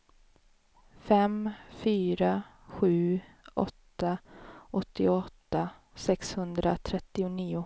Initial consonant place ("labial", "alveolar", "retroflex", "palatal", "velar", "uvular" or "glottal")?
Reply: labial